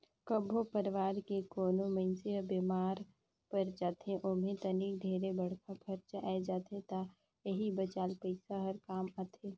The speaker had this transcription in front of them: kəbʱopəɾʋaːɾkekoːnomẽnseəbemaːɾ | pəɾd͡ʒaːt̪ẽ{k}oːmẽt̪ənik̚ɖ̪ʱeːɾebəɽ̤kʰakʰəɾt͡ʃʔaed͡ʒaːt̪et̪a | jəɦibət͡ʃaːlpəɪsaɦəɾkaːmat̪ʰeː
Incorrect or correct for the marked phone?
incorrect: ʔ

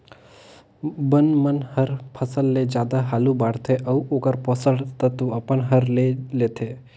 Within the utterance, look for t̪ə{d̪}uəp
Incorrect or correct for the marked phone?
incorrect: t̪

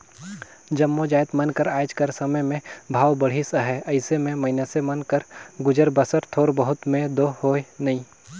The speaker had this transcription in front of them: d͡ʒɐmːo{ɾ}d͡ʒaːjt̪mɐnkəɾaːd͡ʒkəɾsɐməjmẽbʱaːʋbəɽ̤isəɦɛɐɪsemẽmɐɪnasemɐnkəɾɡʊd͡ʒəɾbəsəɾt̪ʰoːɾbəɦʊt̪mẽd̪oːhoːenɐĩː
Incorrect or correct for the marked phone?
incorrect: none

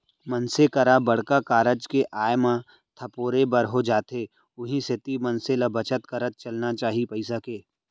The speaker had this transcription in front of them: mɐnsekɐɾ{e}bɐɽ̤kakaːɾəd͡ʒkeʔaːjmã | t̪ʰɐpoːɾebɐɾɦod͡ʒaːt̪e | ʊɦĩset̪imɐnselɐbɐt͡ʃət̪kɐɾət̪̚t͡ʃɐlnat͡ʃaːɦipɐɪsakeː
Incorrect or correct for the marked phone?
incorrect: a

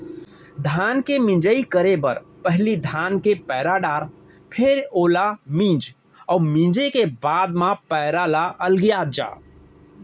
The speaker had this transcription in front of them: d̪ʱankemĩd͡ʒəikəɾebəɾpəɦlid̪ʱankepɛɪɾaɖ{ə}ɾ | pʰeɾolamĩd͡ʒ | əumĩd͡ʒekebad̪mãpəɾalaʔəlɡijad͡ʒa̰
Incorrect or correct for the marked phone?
incorrect: a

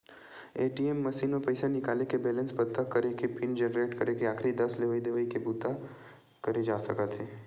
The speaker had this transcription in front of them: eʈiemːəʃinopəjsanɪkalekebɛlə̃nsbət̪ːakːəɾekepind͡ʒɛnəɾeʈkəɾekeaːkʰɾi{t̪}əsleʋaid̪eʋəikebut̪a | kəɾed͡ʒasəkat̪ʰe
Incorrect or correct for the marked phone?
incorrect: d̪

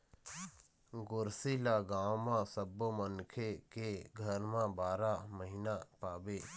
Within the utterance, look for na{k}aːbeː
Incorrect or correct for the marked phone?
incorrect: p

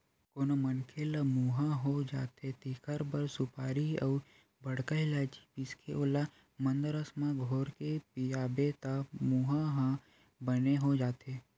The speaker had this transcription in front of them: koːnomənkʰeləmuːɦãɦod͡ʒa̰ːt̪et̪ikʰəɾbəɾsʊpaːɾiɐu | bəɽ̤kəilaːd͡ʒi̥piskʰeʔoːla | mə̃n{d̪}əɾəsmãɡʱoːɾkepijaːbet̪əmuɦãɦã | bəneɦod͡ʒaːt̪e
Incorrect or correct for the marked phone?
correct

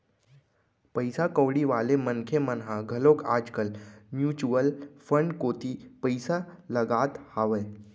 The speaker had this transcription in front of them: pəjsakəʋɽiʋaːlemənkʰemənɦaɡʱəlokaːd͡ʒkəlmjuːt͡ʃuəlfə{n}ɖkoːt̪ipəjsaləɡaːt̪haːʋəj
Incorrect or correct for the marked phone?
incorrect: ɳ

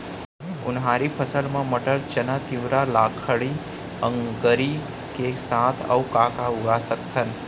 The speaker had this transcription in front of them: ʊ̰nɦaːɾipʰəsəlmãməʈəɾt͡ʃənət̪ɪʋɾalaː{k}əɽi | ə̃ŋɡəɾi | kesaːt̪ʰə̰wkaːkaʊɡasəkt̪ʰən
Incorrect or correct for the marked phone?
incorrect: kʰ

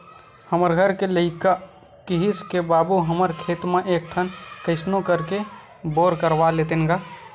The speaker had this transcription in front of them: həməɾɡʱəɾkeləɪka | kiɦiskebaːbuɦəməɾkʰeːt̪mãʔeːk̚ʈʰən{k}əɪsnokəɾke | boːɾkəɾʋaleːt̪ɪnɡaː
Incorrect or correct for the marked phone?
correct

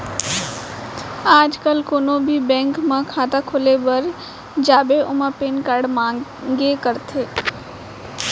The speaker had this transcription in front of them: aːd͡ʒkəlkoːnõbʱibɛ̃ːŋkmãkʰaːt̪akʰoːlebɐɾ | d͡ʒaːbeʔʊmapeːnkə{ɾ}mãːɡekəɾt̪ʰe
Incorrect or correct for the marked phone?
incorrect: ɽ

